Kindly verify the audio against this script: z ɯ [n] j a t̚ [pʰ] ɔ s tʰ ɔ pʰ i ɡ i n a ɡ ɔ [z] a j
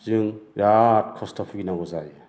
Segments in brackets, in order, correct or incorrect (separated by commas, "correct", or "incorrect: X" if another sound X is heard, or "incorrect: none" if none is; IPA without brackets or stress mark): incorrect: ŋ, incorrect: kʰ, correct